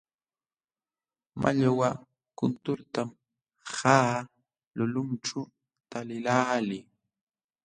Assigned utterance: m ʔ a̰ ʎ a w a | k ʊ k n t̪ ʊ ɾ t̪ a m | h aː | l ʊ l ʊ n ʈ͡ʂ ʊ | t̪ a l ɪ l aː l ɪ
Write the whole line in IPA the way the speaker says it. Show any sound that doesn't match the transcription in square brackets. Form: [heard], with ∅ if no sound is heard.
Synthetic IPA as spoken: m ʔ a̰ ʎ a w a | k ʊ [∅] n t̪ ʊ ɾ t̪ a m | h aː | l ʊ l ʊ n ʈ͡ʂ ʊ | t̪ a l ɪ l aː l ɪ